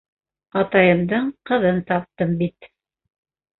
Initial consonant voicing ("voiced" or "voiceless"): voiceless